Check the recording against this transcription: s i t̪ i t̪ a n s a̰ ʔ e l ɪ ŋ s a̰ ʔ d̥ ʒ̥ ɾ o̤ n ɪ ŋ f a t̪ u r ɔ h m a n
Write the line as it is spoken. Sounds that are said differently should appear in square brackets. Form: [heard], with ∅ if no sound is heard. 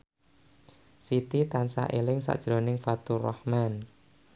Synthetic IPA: s i t̪ i t̪ a n s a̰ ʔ e l ɪ ŋ s a̰ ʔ d̥ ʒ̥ ɾ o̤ n ɪ ŋ f a t̪ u r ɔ h m a n

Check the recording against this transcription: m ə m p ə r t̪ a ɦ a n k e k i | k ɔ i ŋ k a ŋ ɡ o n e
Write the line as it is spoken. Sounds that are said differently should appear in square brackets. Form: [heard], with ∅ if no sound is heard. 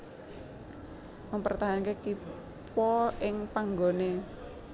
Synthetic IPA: m ə m p ə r t̪ a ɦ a n k e k i | [p] ɔ [ɪ] ŋ [p] a ŋ ɡ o n e

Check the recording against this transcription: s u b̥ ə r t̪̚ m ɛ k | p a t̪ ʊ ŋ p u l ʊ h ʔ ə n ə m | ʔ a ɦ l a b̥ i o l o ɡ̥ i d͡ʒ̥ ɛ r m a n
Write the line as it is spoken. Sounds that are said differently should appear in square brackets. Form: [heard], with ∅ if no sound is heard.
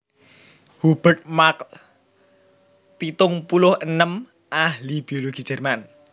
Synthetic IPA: [h] u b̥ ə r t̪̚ m [a] k | p [i] t̪ ʊ ŋ p u l ʊ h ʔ ə n ə m | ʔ a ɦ l [i] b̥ i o l o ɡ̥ i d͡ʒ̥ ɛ r m a n

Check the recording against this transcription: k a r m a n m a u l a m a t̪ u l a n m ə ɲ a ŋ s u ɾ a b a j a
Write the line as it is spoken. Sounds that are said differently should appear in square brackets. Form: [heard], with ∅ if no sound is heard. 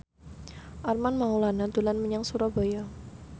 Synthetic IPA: [ʔ] a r m a n m a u l a [n] a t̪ u l a n m ə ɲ a ŋ s u ɾ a b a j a

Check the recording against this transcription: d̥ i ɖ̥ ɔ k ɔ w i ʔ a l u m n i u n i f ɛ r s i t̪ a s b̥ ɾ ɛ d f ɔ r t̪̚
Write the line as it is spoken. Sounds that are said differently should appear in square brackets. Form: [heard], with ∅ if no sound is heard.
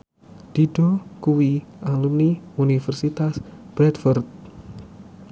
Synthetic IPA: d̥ i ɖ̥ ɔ k [u] w i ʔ a l u m n i u n i f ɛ r s i t̪ a s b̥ ɾ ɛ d f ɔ r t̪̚

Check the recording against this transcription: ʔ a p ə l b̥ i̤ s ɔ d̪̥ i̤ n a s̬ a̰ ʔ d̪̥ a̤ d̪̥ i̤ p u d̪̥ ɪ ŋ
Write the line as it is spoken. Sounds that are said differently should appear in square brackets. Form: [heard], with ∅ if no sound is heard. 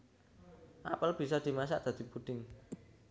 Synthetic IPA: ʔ a p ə l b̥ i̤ s ɔ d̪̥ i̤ [m] a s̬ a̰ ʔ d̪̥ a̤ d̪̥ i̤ p u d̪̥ ɪ ŋ

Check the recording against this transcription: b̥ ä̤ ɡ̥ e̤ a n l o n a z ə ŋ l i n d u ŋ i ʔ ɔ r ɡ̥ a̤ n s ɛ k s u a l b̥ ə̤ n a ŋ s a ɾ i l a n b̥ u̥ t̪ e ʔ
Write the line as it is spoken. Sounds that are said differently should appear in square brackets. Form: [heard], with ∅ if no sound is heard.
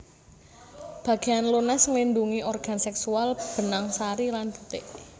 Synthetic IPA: b̥ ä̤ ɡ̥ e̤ a n l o n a [s] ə ŋ l i n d u ŋ i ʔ ɔ r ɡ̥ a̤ n s ɛ k s u a l b̥ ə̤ n a ŋ s a ɾ i l a n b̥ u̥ t̪ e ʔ

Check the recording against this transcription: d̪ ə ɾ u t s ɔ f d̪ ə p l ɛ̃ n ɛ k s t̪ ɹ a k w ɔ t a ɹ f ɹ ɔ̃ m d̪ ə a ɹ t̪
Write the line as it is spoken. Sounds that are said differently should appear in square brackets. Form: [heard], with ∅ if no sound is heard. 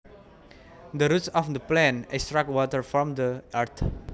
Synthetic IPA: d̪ ə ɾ u t s ɔ f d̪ ə p l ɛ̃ n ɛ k s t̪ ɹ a k w ɔ t [ə] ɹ f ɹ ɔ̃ m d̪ ə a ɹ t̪

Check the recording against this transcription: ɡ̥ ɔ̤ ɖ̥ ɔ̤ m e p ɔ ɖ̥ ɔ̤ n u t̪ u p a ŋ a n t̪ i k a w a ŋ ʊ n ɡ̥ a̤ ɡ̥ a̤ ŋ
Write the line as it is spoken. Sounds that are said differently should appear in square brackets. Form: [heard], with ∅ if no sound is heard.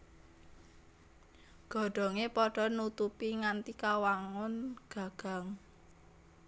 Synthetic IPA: ɡ̥ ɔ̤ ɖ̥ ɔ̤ [ŋ] e p ɔ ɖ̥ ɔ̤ n u t̪ u p [i] ŋ a n t̪ i k a w a ŋ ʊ n ɡ̥ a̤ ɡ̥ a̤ ŋ

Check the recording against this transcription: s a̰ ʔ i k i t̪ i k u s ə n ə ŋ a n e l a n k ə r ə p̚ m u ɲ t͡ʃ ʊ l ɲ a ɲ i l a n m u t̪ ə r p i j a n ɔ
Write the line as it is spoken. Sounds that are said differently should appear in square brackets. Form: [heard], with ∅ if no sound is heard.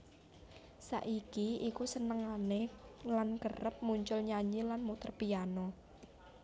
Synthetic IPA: s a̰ ʔ i k i [∅] i k u s ə n ə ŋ a n e l a n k ə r ə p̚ m u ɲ t͡ʃ ʊ l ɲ a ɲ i l a n m u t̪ ə r p i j a n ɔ

